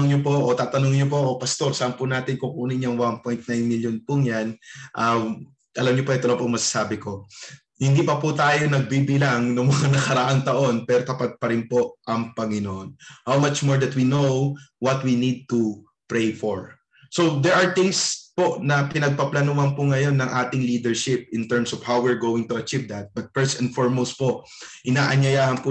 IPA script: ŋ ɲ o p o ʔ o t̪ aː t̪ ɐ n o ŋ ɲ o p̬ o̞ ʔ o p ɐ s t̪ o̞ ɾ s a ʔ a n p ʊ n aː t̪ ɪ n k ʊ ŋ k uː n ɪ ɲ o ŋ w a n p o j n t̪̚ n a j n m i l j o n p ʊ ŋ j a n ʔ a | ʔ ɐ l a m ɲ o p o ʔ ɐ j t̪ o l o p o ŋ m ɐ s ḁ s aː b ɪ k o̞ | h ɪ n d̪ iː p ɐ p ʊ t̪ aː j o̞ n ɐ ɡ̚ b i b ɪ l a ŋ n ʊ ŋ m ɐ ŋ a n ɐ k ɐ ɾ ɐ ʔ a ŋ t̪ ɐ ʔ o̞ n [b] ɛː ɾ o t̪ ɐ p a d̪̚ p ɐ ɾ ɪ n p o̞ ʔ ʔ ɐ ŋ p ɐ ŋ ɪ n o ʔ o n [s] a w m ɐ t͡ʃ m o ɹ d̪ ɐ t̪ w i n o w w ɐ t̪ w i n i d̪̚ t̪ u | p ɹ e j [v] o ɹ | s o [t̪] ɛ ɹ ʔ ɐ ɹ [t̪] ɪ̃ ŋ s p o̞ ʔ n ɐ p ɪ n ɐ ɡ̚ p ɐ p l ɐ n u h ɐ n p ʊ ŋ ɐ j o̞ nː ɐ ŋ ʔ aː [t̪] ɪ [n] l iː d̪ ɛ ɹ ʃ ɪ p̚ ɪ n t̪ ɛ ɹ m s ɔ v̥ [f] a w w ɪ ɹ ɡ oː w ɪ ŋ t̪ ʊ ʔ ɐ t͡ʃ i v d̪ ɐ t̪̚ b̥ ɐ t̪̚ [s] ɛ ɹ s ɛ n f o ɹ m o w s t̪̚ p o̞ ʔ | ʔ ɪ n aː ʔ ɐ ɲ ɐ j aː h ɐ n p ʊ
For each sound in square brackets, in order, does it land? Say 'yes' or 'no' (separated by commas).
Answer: no, no, no, no, yes, yes, no, no, no